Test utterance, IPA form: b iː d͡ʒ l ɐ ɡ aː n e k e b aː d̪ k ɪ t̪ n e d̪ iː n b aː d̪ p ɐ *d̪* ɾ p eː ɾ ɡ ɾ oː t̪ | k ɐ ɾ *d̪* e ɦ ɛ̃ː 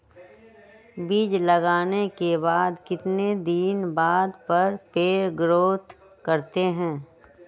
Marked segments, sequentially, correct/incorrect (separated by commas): incorrect, incorrect